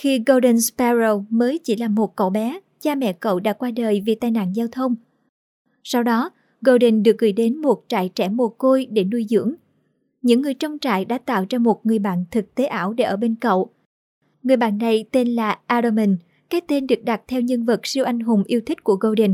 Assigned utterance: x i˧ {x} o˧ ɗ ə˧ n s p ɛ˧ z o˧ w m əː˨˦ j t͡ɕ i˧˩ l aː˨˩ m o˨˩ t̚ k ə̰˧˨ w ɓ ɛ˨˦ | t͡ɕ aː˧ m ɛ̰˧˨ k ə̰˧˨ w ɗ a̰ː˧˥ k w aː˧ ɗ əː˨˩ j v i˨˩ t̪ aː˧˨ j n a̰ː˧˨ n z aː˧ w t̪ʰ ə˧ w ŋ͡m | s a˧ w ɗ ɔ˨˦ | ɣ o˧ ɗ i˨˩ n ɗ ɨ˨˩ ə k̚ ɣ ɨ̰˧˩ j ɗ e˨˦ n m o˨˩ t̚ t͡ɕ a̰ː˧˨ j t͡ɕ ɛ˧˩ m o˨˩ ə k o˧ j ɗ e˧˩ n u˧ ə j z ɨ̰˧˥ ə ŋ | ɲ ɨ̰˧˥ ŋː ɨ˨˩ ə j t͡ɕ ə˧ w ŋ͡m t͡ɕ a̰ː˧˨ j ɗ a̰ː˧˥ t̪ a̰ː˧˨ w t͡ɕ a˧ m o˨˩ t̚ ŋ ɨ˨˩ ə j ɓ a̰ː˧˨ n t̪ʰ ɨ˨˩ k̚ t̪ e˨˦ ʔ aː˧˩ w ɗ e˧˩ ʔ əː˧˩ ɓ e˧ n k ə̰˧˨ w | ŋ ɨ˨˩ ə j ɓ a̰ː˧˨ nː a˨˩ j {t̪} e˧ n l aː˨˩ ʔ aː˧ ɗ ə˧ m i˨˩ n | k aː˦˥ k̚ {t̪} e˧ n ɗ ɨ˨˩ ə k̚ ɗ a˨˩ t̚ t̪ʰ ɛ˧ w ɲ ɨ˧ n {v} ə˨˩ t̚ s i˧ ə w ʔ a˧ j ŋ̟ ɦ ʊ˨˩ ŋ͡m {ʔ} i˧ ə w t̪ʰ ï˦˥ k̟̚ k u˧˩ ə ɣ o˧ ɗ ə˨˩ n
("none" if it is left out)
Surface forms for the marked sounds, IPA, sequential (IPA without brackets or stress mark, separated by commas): ɣ, t̪, t̪, v, ʔ